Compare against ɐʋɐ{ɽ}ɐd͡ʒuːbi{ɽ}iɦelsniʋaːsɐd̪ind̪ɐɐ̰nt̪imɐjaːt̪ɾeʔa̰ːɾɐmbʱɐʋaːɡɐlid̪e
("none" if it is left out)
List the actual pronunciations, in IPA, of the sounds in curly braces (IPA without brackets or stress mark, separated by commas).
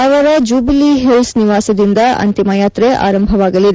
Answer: ɾ, l